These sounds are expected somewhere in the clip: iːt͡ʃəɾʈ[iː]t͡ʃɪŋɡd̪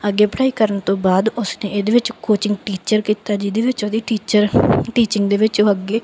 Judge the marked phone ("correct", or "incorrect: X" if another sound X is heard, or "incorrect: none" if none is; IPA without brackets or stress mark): correct